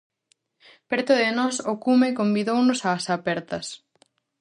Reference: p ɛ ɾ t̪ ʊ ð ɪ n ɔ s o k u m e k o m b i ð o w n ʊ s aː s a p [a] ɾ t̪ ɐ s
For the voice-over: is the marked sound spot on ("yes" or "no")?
no